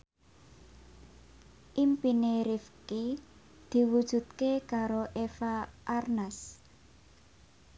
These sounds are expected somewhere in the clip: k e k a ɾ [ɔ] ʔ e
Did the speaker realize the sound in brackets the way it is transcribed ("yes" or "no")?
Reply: no